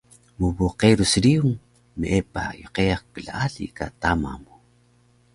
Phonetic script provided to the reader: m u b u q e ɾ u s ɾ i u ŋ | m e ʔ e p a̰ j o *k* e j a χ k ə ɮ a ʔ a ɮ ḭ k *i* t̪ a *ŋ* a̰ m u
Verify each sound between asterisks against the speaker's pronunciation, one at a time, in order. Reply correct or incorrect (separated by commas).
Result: incorrect, incorrect, incorrect